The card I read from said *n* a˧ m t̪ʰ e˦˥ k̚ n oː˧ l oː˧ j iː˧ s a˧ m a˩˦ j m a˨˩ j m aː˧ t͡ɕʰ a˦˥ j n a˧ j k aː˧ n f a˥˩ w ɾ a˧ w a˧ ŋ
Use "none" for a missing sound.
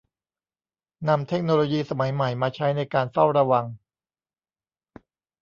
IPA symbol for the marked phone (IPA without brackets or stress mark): n